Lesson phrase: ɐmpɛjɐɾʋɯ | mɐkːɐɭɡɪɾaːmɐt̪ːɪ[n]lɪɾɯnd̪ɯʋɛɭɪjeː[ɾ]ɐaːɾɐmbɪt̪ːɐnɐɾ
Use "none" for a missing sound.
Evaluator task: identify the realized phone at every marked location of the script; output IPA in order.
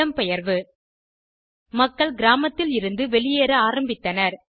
none, ɾ

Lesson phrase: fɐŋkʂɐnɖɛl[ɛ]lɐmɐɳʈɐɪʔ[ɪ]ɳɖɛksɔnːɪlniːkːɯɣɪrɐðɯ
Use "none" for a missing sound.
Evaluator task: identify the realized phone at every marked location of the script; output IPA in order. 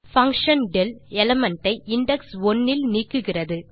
ɛ, ɪ

